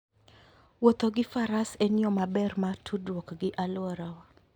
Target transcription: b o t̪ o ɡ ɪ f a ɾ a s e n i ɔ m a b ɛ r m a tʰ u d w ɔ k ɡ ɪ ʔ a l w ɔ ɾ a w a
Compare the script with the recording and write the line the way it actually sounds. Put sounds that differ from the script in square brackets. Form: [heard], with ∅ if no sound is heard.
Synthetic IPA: [w] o t̪ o ɡ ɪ f a ɾ a s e n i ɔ m a b ɛ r m a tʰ u d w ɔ k ɡ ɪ ʔ a l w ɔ ɾ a w a